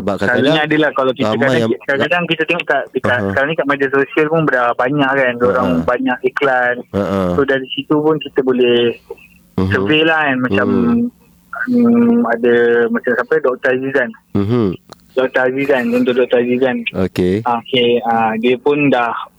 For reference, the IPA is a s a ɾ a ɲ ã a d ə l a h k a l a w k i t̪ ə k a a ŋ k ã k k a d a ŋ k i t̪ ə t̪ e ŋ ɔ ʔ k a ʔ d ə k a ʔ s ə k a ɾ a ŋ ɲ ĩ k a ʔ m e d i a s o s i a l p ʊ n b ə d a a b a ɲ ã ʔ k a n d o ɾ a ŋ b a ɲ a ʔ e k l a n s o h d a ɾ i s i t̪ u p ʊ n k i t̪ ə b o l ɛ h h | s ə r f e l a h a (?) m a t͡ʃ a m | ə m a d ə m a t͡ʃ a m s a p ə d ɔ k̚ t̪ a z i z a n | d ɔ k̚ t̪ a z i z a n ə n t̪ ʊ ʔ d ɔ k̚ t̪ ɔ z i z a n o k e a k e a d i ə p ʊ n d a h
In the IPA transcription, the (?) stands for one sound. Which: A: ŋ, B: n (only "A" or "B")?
B